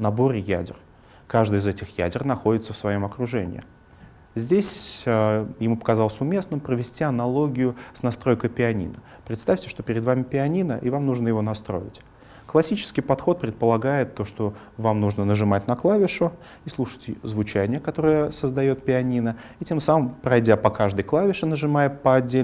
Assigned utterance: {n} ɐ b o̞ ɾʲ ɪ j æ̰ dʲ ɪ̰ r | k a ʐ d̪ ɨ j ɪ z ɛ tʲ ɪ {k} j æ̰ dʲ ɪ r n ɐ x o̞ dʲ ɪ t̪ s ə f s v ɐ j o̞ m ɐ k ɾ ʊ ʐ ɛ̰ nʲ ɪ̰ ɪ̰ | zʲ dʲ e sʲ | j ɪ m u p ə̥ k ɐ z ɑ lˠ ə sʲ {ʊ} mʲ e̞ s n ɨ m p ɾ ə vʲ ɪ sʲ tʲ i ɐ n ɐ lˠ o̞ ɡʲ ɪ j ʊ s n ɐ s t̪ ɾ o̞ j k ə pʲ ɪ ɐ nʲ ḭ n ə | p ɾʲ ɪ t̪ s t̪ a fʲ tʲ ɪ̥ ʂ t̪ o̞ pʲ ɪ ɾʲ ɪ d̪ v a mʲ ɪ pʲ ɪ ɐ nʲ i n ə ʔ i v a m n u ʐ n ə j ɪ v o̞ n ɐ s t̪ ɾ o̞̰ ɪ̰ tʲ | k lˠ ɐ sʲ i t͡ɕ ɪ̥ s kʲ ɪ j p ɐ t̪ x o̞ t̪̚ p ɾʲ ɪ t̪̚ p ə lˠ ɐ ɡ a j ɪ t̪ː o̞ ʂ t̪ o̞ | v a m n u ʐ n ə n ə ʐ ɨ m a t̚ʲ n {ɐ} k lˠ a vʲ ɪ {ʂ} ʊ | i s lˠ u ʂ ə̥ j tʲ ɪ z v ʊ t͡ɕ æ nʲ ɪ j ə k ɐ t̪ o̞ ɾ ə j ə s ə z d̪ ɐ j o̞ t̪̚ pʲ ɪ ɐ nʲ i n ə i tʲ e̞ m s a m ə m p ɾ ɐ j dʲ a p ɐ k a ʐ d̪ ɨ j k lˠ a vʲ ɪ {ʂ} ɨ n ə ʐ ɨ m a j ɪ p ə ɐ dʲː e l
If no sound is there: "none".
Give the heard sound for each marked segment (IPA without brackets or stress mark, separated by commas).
n, x, ʊ, ɐ, ʂ, ʂ